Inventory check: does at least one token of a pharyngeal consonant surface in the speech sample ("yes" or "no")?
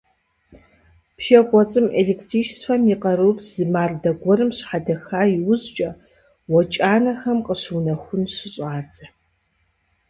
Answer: yes